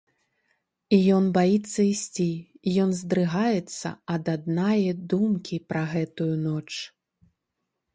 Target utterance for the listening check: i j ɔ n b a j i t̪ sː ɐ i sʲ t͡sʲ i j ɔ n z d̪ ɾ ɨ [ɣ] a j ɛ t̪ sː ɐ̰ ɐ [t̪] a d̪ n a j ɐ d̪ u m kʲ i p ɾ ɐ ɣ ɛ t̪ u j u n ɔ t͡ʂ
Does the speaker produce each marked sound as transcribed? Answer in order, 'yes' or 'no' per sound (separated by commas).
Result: yes, no